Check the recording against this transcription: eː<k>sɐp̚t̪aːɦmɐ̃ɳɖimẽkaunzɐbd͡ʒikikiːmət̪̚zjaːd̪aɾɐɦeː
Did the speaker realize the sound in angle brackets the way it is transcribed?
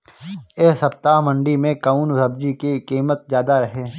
no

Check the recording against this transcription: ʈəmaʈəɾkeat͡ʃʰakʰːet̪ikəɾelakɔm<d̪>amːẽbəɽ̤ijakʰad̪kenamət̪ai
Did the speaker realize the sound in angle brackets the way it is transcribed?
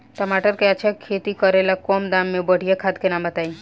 yes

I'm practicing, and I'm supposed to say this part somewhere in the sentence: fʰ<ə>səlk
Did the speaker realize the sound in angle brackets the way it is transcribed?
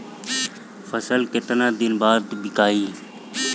yes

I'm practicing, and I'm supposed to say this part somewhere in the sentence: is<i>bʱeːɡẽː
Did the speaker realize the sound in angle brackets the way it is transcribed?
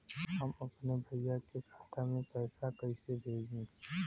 no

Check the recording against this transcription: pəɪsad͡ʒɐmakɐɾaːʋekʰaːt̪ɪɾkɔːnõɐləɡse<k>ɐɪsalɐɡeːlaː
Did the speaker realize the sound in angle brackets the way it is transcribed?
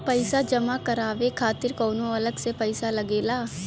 no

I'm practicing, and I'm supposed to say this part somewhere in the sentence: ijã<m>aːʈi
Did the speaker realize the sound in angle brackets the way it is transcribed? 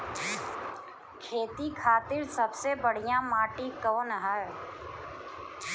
yes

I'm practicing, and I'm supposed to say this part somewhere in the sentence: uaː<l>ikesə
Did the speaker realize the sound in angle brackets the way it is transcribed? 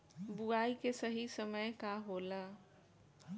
no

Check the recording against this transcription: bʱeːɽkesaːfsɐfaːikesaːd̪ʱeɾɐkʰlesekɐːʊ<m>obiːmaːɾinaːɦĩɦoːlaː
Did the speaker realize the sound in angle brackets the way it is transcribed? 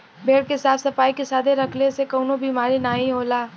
no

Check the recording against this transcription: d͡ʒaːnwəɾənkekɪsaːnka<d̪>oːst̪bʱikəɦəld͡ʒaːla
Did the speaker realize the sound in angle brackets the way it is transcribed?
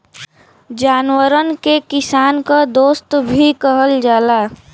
yes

